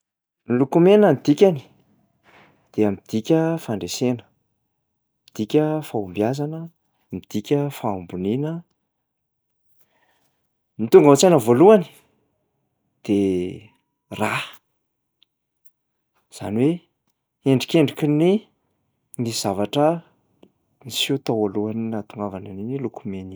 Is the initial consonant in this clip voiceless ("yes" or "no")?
no